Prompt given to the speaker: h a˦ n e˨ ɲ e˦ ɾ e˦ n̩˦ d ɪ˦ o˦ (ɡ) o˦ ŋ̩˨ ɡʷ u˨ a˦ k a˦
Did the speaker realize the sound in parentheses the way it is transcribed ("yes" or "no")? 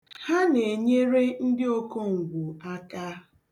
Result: no